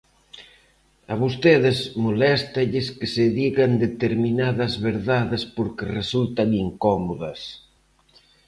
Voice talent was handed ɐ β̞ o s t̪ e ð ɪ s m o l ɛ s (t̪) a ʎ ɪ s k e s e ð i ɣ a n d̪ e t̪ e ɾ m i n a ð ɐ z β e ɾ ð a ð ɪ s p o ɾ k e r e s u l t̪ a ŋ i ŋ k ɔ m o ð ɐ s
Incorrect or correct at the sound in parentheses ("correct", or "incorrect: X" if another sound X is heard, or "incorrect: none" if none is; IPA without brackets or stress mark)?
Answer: correct